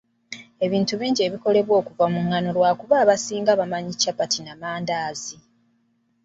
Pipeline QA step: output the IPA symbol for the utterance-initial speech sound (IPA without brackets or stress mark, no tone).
e̞